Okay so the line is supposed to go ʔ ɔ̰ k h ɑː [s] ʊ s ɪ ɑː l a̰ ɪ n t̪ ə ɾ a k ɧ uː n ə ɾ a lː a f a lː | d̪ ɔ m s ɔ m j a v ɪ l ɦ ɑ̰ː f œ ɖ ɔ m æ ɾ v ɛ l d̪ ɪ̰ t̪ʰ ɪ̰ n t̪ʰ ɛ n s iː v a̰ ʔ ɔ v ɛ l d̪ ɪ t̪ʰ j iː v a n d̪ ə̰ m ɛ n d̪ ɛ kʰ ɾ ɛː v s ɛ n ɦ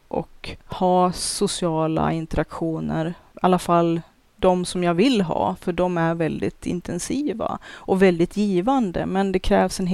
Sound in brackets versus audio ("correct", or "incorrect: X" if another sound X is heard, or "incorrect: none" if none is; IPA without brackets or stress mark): correct